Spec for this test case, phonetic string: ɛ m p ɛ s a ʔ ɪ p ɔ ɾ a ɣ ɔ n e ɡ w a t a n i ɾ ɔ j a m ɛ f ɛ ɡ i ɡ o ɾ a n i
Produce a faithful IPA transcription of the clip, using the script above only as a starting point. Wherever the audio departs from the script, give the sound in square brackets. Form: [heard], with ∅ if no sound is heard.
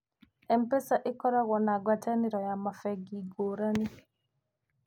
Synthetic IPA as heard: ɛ m p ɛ s a ʔ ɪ [k] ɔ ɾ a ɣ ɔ n [a] ɡ w a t a n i ɾ ɔ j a m [a] f ɛ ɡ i ɡ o ɾ a n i